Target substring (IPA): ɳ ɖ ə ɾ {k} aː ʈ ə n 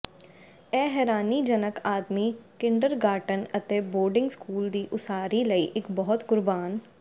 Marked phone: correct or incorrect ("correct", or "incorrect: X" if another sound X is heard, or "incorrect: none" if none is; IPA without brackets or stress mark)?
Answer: incorrect: ɡ